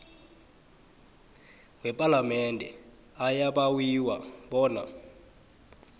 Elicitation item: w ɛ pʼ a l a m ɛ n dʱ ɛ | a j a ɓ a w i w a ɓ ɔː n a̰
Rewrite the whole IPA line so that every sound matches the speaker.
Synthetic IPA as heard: w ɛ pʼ a l a m ɛ n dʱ ɛ | a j a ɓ a w i w a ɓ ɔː n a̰